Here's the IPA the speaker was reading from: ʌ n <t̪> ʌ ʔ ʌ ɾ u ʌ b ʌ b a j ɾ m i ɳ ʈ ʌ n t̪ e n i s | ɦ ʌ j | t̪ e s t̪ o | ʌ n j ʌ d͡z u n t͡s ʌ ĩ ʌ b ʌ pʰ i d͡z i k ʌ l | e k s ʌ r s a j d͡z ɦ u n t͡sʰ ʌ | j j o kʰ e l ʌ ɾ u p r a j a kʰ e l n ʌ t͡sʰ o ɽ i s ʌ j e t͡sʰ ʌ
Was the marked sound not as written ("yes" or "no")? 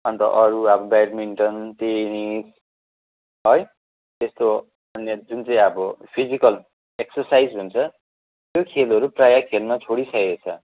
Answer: no